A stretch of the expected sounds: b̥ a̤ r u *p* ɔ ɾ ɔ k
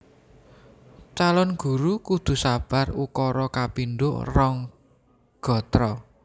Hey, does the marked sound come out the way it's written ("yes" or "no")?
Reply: no